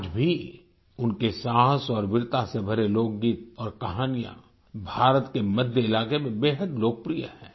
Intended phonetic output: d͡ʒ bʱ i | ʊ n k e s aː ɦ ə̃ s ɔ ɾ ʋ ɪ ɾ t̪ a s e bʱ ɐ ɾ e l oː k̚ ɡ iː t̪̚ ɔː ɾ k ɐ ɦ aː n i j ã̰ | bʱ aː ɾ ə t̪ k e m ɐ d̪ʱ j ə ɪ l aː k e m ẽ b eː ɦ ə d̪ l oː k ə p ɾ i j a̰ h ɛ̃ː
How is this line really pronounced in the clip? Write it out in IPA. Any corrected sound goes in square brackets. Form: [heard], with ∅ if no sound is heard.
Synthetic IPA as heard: d͡ʒ bʱ i | ʊ n k e s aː ɦ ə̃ s [ɔː] ɾ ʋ ɪ ɾ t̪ a s e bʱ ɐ ɾ e l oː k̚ ɡ iː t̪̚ ɔː ɾ k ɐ ɦ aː n i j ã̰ | bʱ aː ɾ ə t̪ k e m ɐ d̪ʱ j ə ɪ l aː k e m ẽ b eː ɦ ə d̪ l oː k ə p ɾ i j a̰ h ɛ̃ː

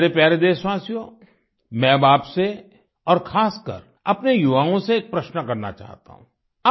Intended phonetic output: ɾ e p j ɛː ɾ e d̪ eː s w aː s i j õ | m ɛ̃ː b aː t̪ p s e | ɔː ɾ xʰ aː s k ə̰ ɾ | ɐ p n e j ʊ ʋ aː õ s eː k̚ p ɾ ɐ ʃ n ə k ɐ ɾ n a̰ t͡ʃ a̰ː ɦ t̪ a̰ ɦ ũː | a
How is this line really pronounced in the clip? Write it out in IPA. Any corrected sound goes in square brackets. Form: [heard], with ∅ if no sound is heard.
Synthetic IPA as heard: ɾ e p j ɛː ɾ e d̪ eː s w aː s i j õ | m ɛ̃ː b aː [∅] p s e | ɔː ɾ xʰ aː s k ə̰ ɾ | ɐ p n e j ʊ ʋ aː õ s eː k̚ p ɾ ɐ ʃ n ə k ɐ ɾ n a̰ t͡ʃ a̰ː ɦ t̪ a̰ ɦ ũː | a

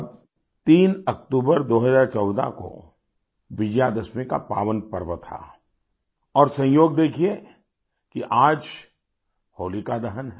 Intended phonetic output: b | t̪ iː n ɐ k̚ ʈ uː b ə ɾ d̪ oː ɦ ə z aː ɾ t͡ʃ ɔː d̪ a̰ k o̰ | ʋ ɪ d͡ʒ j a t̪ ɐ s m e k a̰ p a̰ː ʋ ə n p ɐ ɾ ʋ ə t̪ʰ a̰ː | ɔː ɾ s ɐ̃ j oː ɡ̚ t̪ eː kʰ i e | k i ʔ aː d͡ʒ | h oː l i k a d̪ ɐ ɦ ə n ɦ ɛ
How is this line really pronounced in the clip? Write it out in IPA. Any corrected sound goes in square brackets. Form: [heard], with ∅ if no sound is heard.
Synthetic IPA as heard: b | t̪ iː n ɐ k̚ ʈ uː b ə ɾ d̪ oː ɦ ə z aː ɾ t͡ʃ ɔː d̪ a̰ k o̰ | ʋ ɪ d͡ʒ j a [d̪] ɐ s m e k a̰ p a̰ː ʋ ə n p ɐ ɾ ʋ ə t̪ʰ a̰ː | ɔː ɾ s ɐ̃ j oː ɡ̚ [d̪] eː kʰ i e | k i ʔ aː d͡ʒ | h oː l i k a d̪ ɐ ɦ ə n ɦ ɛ

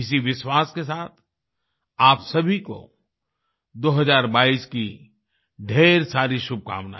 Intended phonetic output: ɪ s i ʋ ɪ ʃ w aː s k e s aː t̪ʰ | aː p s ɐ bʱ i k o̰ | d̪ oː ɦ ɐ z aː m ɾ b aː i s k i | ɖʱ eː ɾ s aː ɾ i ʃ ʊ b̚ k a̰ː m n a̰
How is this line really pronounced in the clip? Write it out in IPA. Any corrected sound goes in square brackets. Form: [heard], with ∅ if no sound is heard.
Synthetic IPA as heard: ɪ s i ʋ ɪ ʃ w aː s k e s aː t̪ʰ | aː p s ɐ bʱ i k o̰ | d̪ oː ɦ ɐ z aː [∅] ɾ b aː i s k i | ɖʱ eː ɾ s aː ɾ i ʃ ʊ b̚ k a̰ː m n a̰

